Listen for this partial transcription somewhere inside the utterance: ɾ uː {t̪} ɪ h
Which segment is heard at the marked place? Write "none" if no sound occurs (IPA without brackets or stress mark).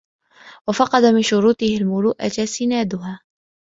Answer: t̪